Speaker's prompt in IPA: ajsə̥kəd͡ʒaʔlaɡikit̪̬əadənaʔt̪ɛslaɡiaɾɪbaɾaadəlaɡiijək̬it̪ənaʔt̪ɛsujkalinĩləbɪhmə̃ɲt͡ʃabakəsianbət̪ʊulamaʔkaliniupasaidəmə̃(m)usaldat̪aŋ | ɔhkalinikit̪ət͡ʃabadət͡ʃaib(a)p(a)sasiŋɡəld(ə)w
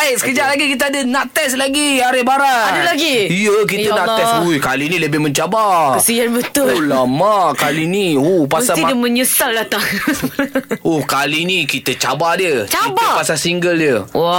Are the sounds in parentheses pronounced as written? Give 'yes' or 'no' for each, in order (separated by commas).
no, yes, yes, yes